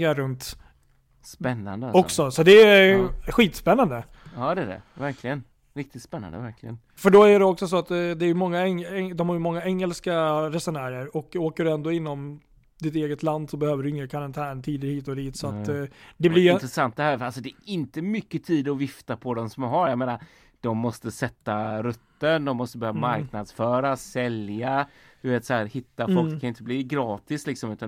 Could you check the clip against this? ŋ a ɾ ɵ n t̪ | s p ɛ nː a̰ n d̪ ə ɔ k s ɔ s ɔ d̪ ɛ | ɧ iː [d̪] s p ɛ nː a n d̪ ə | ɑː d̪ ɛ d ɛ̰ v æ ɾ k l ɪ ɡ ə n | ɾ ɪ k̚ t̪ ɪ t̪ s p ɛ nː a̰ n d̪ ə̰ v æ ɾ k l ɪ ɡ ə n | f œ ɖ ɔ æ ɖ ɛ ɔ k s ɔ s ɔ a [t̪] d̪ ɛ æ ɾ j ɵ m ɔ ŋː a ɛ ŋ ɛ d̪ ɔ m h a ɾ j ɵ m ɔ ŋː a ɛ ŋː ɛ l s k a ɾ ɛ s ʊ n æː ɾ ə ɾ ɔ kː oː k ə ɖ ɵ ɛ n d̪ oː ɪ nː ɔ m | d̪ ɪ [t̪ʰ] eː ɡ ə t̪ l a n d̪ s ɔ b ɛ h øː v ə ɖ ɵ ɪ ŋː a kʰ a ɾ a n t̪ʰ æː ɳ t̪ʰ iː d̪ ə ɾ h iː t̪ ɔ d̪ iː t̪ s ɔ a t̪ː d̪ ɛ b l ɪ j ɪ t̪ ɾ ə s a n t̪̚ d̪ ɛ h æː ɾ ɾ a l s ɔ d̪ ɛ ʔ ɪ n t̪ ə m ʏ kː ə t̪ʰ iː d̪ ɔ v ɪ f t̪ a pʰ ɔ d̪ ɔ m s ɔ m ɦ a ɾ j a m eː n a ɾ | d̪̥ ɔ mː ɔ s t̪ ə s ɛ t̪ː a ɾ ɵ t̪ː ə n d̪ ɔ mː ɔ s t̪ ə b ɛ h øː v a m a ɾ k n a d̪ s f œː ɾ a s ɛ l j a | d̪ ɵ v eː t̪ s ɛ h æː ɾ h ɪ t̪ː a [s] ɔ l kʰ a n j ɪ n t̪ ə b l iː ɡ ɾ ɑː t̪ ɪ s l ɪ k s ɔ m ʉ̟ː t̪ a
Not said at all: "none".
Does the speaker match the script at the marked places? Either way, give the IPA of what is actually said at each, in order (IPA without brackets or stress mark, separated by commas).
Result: t̪, t̪, t̪, f